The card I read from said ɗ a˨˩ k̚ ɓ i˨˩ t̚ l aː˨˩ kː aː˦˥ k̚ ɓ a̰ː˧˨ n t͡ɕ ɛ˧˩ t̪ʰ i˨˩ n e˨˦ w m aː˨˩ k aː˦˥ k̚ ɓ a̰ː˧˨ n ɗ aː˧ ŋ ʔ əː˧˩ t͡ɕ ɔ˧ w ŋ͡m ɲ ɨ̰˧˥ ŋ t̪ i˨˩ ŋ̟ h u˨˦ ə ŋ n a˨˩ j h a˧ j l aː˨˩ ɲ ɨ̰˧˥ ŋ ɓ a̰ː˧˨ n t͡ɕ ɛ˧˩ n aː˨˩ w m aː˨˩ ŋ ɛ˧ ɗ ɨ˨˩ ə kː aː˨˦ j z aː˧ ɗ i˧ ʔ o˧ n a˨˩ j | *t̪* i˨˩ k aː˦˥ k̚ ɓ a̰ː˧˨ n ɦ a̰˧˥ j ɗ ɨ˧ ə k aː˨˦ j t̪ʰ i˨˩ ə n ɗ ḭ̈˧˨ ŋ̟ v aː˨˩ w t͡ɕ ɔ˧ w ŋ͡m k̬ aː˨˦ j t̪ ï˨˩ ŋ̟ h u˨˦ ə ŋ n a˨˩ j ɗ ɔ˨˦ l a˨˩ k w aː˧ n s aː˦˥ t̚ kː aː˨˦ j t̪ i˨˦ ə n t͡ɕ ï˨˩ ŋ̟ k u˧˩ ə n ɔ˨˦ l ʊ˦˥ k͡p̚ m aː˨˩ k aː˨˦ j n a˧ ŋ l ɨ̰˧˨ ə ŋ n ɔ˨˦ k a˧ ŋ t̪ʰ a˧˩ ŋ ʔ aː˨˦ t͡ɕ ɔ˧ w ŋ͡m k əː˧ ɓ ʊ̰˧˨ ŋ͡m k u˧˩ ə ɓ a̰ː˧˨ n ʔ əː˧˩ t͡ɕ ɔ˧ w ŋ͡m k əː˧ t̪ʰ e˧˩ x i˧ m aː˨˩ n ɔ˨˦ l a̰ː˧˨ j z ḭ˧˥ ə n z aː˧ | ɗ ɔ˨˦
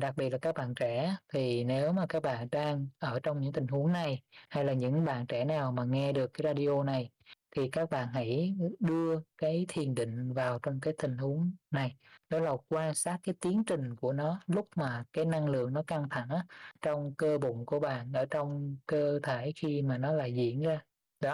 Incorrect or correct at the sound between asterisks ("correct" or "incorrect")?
incorrect